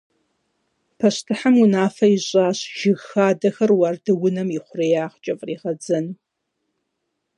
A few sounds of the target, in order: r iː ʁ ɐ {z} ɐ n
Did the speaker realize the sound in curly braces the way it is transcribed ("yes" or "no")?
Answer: no